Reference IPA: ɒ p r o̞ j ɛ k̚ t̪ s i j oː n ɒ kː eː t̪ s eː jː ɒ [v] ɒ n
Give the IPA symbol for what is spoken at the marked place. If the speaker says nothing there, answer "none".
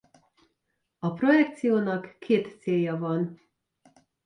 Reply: v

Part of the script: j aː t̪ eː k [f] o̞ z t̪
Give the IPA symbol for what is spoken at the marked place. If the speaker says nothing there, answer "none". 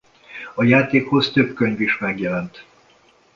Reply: h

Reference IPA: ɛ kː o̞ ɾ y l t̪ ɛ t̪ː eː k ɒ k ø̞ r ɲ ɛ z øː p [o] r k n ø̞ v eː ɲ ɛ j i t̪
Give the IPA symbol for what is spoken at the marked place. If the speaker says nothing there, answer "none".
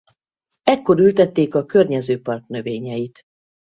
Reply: ɒ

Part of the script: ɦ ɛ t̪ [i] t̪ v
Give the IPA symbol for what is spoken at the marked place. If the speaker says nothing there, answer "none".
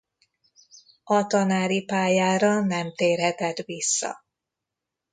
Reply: ɛ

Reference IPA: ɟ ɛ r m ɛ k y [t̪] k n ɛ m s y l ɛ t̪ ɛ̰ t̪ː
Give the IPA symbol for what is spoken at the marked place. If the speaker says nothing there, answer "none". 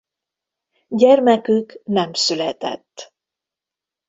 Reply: none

